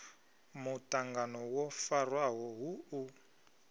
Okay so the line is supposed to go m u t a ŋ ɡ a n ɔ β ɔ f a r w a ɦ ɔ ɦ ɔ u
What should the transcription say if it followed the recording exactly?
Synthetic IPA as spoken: m u t a ŋ ɡ a n ɔ w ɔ f a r w a ɦ ɔ ɦ u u